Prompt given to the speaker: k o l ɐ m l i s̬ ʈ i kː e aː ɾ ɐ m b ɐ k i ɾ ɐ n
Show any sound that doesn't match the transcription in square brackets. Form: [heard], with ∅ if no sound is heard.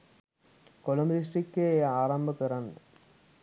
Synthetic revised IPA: k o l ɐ m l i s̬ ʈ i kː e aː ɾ ɐ m b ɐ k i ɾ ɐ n